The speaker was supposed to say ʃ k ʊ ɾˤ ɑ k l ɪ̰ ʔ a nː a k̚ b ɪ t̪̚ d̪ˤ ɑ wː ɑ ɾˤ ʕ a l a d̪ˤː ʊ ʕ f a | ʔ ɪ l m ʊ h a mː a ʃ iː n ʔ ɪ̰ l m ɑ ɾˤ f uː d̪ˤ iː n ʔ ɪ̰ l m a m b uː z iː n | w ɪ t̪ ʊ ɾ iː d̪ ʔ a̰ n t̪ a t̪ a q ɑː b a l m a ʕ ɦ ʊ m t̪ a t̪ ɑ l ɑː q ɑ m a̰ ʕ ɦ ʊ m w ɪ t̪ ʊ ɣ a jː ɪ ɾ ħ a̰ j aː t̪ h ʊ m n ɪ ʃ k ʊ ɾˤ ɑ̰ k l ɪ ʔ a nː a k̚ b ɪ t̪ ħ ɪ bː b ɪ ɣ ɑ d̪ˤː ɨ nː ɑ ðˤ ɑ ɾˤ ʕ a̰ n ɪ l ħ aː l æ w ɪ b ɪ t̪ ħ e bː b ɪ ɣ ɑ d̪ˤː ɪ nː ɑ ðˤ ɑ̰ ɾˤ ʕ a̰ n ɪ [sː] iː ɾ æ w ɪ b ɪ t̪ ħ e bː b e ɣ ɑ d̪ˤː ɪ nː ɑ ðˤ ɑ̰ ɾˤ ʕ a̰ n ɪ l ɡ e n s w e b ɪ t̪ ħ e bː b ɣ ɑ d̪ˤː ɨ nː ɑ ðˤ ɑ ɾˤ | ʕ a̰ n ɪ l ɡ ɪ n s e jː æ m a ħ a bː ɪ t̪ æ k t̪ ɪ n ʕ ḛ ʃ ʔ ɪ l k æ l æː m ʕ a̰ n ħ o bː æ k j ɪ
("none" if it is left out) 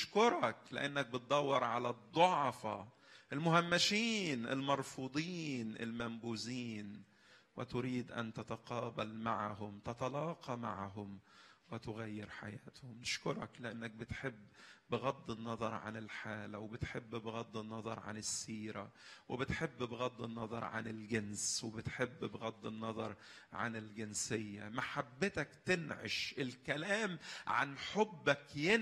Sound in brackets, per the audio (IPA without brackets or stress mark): sː